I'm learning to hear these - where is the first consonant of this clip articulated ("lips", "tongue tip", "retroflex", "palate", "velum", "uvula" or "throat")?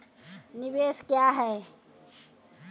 tongue tip